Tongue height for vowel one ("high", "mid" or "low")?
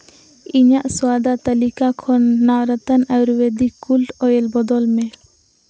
high